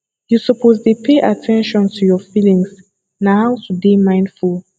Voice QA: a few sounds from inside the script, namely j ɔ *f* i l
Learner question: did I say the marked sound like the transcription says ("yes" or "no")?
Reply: yes